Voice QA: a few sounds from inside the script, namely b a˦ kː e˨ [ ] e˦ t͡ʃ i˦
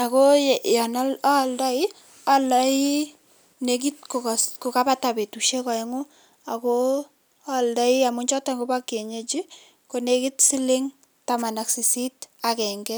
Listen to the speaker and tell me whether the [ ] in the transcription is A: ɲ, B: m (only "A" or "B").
A